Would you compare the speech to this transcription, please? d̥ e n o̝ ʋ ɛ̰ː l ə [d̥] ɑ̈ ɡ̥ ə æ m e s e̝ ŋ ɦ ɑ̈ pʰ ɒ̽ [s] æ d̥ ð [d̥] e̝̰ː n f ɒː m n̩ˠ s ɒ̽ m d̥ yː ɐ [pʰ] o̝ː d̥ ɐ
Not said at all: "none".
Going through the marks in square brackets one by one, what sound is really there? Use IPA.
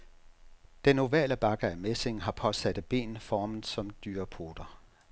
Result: b̥, s, b̥, pʰ

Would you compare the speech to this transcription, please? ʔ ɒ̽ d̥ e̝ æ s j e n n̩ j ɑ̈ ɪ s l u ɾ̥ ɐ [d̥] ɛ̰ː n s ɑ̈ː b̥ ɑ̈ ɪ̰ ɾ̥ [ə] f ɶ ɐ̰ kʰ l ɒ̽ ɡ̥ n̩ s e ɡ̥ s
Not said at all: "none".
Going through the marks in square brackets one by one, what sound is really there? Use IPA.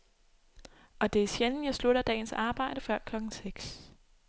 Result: d̥, ə

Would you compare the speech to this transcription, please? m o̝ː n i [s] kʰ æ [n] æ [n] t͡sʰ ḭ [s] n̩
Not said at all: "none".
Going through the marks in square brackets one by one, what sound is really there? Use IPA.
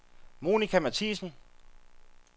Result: none, m, none, s

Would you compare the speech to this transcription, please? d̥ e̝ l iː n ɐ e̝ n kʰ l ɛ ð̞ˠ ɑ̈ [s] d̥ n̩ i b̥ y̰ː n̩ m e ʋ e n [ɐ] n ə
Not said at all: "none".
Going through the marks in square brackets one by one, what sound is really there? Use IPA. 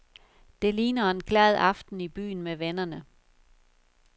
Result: f, ɐ

